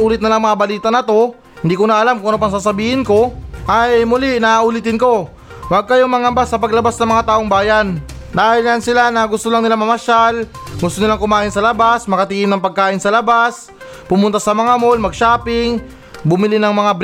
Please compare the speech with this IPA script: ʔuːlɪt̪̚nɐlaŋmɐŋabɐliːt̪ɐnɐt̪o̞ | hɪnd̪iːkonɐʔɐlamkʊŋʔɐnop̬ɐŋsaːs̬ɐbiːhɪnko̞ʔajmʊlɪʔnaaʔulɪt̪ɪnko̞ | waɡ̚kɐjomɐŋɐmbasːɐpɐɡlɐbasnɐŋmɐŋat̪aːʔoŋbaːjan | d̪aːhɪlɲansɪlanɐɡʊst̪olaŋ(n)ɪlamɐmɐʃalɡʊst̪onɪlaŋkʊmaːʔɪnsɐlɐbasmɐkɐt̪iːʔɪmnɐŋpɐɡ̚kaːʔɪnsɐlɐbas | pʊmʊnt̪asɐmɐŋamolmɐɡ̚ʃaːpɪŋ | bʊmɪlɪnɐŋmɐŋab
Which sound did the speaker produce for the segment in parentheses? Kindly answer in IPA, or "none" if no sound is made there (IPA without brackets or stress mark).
n